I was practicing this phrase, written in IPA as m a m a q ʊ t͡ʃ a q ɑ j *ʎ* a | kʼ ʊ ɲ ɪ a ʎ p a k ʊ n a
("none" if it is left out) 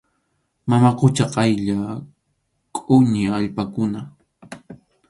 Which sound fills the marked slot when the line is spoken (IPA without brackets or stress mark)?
ʎ